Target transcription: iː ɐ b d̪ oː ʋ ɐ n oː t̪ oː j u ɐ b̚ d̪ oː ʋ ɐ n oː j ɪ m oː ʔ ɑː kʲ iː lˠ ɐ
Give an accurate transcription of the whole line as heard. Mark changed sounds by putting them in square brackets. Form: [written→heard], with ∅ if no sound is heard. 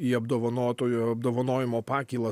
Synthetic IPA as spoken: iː ɐ b d̪ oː ʋ ɐ n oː t̪ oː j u ɐ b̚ d̪ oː ʋ ɐ n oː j ɪ m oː [ʔ→p] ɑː kʲ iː lˠ ɐ